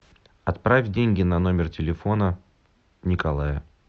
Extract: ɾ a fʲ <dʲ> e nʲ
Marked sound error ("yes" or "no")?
no